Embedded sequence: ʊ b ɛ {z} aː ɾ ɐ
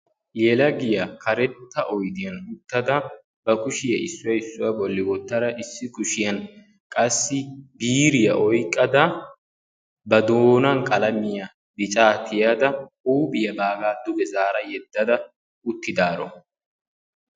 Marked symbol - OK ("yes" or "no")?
yes